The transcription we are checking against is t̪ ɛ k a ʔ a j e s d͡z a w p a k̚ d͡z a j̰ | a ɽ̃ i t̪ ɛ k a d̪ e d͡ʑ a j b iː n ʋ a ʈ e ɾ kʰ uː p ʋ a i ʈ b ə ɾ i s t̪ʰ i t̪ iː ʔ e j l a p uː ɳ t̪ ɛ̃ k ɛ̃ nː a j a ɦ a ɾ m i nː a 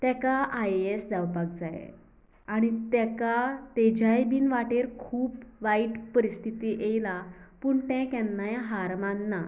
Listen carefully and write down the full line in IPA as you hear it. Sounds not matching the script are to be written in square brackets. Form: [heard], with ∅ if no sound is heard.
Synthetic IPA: t̪ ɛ k a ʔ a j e s d͡z a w p a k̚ d͡z a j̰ | a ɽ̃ i t̪ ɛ k a [t̪] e d͡ʑ a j b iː n ʋ a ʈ e ɾ kʰ uː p ʋ a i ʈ [p] ə ɾ i s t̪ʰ i t̪ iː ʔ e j l a p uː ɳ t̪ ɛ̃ k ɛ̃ nː a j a ɦ a ɾ m [a] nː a

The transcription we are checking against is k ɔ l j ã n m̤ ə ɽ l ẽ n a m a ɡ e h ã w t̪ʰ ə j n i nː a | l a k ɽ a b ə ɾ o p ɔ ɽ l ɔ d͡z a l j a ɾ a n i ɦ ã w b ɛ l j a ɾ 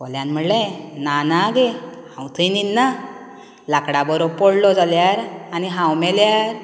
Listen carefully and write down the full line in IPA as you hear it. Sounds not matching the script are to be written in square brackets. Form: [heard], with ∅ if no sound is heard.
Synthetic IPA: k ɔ l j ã n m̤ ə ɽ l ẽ n a [n] a ɡ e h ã w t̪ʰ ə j n i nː a | l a k ɽ a b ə ɾ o p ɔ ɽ l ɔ d͡z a l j a ɾ a n i ɦ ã w [m] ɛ l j a ɾ

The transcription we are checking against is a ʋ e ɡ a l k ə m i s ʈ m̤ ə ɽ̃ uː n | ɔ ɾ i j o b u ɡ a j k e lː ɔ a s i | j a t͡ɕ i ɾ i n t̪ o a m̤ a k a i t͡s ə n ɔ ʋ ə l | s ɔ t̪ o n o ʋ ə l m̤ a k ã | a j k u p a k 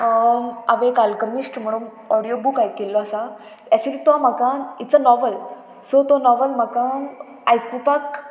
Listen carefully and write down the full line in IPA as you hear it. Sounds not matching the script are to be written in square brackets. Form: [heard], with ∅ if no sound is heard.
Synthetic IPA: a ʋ e [k] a l k ə m i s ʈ m̤ ə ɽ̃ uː n | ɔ [ɽ] i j o b u [k] a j k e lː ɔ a s [a] | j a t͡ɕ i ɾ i [∅] t̪ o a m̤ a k a i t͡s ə n ɔ ʋ ə l | s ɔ t̪ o n [ɔ] ʋ ə l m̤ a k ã | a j k u p a k

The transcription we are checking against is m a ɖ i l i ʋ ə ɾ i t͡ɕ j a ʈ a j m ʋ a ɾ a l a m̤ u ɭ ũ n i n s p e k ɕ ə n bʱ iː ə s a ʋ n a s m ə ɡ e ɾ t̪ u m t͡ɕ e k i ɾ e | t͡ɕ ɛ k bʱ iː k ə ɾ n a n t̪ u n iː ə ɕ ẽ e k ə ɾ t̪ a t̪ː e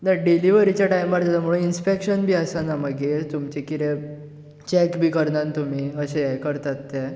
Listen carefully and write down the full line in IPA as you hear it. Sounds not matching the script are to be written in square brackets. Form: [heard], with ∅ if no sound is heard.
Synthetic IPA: [n] a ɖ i l i ʋ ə ɾ i t͡ɕ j a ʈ a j m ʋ a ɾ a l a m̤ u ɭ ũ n i n s p e k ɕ ə n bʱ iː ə s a [∅] n a [∅] m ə ɡ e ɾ t̪ u m t͡ɕ e k i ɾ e | t͡ɕ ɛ k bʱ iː k ə ɾ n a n t̪ u [m] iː ə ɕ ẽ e k ə ɾ t̪ a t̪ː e

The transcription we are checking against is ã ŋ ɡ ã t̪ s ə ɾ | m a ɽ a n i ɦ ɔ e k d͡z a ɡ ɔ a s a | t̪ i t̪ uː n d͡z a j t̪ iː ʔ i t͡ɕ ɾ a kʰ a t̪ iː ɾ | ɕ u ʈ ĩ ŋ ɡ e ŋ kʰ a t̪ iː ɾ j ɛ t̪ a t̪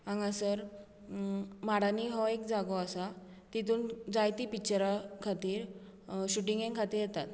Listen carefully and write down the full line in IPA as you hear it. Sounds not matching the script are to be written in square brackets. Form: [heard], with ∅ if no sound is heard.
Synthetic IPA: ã ŋ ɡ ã [∅] s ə ɾ | m a ɽ a n i ɦ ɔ e k d͡z a ɡ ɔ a s a | t̪ i t̪ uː n d͡z a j t̪ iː [p] i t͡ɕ ɾ a kʰ a t̪ iː ɾ | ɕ u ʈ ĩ ŋ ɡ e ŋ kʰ a t̪ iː ɾ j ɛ t̪ a t̪

